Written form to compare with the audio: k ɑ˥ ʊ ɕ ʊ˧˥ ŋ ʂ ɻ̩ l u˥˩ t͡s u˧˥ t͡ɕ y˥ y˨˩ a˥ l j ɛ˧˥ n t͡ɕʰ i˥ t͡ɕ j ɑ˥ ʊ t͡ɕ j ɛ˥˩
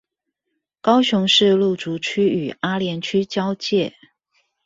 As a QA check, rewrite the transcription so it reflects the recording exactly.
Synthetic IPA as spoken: k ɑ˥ ʊ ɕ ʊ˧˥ ŋ ʂ ɻ̩ l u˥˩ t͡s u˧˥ t͡ɕʰ y˥ y˨˩ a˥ l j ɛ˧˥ n t͡ɕʰ y˥ t͡ɕ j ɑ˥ ʊ t͡ɕ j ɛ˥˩

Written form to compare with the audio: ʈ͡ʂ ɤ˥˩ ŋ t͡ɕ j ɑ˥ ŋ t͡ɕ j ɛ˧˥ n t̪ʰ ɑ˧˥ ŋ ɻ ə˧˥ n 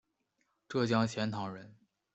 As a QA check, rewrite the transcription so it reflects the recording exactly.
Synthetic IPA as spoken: ʈ͡ʂ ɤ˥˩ t͡ɕ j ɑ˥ ŋ t͡ɕʰ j ɛ˧˥ n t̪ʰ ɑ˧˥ ŋ ɻ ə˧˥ n

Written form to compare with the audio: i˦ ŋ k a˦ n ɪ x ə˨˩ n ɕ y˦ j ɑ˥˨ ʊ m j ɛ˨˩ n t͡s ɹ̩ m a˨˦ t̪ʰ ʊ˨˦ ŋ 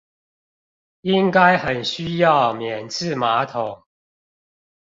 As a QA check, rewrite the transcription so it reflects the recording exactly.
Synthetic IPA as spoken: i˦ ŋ k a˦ ɪ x ə˨˩ n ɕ y˦ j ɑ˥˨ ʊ m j ɛ˨˩ n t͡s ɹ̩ m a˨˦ t̪ʰ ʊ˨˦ ŋ

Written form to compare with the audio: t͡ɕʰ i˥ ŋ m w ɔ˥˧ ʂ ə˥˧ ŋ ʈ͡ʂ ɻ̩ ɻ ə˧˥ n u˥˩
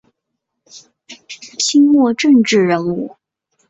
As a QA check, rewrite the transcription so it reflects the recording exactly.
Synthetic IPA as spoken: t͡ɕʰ i˥ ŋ m w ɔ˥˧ ʈ͡ʂ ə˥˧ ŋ ʈ͡ʂ ɻ̩ ɻ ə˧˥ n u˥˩

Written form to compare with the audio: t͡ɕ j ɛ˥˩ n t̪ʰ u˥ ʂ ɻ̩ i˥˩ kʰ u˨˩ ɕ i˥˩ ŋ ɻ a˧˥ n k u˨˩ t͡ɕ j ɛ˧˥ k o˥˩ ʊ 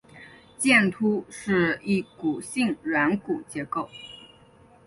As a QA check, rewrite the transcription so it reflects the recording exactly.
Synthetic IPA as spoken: t͡ɕ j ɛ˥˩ n t̪ʰ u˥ ʂ ɻ̩ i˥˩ k u˨˩ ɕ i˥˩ ŋ ɻ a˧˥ n k u˨˩ t͡ɕ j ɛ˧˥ k o˥˩ ʊ

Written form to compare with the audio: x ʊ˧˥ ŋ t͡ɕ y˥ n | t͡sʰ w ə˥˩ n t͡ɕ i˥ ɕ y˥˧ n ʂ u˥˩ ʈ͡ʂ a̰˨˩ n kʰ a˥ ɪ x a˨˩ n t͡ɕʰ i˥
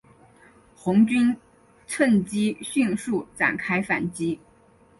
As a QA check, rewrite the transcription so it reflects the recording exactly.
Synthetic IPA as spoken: x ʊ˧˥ ŋ t͡ɕ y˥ n | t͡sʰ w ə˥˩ n t͡ɕ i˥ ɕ y˥˧ n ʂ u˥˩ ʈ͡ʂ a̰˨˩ n kʰ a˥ ɪ f a˨˩ n t͡ɕ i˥

